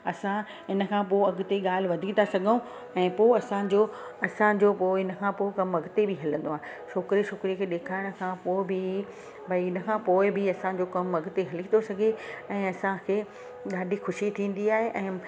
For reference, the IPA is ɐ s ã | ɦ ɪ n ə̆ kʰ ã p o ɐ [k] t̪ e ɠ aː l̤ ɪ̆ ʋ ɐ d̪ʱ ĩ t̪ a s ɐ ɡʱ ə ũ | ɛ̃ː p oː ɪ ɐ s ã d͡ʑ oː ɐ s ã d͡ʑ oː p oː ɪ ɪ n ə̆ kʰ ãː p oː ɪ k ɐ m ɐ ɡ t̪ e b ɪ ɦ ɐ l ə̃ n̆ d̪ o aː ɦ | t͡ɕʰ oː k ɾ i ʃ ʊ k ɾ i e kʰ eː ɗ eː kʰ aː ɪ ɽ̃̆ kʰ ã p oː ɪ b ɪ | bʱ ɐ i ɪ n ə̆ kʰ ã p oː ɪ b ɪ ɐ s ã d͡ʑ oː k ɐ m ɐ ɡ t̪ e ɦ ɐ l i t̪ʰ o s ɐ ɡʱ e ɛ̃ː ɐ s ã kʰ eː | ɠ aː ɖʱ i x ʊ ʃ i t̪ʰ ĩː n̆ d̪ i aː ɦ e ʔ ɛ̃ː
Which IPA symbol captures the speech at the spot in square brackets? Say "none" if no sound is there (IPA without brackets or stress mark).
ɡ